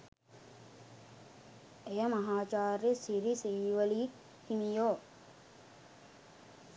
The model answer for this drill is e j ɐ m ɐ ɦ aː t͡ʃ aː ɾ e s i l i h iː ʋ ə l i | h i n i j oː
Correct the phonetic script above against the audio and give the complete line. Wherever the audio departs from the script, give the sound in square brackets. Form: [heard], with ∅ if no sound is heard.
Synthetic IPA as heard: e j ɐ m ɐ ɦ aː t͡ʃ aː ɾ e s i [ɾ] i [s] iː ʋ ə l i | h i [m] i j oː